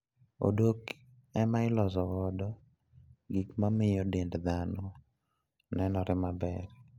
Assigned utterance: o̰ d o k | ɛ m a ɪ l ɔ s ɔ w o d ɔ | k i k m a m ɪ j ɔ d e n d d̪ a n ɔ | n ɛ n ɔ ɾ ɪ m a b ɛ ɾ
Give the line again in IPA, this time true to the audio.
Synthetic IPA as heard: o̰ d o k | ɛ m a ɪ l ɔ z ɔ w ɔ d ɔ | ɡ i k m a m ɪ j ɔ d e n d d̪ a n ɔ | n ɛ n ɔ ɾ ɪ m a b ɛ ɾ